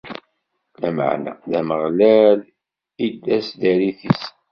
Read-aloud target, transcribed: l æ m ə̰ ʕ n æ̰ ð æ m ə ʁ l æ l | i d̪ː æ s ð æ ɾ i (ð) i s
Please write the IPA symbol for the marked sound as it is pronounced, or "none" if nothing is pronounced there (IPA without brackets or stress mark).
θ